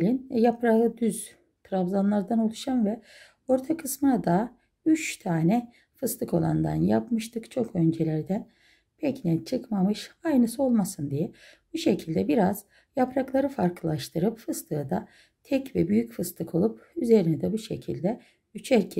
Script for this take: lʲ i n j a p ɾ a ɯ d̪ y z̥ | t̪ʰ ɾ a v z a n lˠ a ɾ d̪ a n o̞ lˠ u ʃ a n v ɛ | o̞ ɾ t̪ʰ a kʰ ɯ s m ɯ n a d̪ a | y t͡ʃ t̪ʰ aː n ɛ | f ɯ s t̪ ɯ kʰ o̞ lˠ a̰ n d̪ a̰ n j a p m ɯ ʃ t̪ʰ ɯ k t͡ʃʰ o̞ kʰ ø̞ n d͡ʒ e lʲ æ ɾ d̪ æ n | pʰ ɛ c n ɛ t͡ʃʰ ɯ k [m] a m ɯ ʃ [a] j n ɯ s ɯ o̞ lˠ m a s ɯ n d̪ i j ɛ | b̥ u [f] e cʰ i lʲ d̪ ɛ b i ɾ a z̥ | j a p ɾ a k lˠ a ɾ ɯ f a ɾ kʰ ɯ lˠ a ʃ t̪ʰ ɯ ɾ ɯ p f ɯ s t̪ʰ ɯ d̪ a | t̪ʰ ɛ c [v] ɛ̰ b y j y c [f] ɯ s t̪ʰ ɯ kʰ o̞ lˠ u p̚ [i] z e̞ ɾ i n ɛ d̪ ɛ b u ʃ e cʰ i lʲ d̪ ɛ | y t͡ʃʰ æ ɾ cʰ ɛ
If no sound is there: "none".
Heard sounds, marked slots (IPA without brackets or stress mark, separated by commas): m, a, ʃ, v, f, y